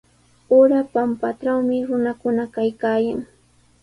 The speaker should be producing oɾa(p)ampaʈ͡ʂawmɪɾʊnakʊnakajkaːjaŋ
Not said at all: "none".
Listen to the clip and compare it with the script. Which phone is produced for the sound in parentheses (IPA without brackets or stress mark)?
p